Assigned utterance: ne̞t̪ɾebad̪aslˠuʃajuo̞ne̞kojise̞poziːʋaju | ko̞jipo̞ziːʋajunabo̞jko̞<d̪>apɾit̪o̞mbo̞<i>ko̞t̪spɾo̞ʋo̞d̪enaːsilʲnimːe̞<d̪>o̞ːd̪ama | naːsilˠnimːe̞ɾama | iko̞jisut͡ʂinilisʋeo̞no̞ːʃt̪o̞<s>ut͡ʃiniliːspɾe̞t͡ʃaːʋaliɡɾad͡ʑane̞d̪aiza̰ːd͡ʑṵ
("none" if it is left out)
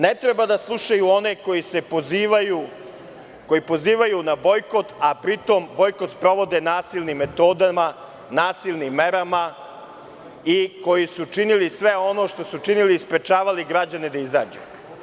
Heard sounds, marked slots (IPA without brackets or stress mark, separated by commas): t̪, j, t̪, s